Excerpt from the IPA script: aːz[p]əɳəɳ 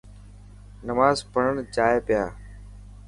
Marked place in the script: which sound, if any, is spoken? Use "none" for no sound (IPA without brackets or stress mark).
p